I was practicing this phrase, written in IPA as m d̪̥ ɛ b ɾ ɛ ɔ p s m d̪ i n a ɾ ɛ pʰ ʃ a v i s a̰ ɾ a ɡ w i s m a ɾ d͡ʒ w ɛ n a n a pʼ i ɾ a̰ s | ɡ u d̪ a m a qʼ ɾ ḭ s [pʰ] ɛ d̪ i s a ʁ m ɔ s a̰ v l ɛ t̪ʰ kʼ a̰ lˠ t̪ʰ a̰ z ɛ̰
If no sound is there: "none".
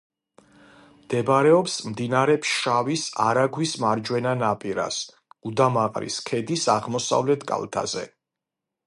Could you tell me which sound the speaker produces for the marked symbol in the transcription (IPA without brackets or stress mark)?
kʰ